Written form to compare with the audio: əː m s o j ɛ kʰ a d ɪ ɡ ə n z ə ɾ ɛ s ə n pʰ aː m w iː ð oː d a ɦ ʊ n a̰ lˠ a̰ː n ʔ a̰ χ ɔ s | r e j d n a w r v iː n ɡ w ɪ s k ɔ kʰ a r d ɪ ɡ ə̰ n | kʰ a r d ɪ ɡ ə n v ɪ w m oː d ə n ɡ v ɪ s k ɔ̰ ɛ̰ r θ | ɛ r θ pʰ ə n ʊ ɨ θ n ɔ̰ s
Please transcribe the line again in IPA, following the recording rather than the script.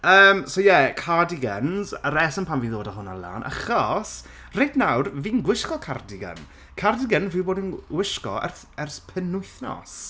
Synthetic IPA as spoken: əː m s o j ɛ kʰ a d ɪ ɡ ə n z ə ɾ ɛ s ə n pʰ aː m v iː ð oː d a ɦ ʊ n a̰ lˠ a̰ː n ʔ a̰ χ ɔ s | r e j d n a w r v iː n ɡ w ɪ ʃ k ɔ kʰ a r d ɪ ɡ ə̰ n | kʰ a r d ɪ ɡ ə n v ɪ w b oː d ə n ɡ w ɪ ʃ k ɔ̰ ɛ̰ r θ | ɛ r θ pʰ ə n ʊ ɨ θ n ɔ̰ s